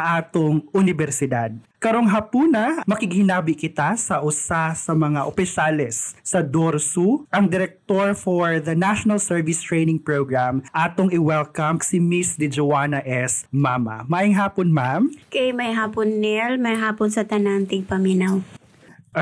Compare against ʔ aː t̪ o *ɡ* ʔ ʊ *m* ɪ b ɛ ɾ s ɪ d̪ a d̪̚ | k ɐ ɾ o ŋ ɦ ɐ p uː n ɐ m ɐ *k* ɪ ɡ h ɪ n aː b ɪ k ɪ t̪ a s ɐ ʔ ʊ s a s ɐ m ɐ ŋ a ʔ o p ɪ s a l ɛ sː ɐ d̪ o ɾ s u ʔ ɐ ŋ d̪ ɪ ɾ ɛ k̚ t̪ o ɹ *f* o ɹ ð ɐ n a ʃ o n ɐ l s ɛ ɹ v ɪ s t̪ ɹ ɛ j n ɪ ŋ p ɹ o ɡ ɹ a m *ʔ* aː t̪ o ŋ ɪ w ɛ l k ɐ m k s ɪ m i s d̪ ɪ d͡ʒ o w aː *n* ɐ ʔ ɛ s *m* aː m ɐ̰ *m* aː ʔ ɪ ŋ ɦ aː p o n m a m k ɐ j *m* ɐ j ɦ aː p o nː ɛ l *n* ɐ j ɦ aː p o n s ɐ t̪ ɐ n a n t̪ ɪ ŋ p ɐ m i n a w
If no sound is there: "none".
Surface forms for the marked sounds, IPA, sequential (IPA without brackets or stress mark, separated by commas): ŋ, n, k, f, ʔ, n, m, m, m, m